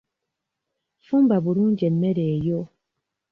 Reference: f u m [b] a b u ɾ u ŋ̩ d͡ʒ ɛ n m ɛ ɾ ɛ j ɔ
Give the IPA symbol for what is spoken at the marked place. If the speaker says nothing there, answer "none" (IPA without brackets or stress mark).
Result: b